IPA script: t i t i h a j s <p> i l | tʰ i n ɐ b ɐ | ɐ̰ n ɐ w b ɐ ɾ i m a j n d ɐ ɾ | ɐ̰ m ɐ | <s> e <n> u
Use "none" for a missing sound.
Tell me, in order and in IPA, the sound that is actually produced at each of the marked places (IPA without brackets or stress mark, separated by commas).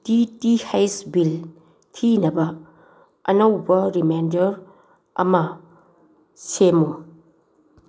b, s, m